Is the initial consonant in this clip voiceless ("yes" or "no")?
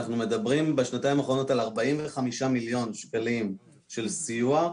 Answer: yes